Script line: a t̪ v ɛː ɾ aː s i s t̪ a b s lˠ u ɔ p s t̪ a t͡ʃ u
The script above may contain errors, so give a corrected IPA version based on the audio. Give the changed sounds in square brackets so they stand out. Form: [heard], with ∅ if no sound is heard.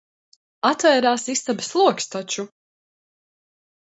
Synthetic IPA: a t̪ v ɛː ɾ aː s i s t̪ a b s lˠ u ɔ [k] s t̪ a t͡ʃ u